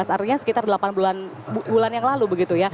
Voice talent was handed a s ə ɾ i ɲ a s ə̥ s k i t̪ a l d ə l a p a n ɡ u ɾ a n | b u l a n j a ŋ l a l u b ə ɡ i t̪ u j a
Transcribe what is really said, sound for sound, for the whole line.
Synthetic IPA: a s a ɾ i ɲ a s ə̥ k i t̪ a r d ə l a p a n b u l a n | b u l a n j a ŋ l a l u b ə ɡ i t̪ u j a